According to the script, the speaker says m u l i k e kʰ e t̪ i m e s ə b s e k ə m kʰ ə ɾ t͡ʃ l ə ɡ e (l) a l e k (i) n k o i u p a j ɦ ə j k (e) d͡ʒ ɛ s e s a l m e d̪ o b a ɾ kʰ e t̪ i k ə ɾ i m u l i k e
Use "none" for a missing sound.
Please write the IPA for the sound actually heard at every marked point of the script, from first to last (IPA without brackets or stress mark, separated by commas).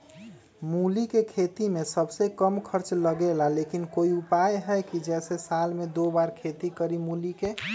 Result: l, i, i